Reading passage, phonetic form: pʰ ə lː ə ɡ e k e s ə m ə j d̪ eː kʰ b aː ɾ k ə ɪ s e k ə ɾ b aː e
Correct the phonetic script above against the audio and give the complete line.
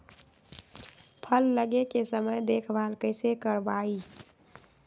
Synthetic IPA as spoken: pʰ ə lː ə ɡ e k e s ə m ə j d̪ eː kʰ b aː l k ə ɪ s e k ə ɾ b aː i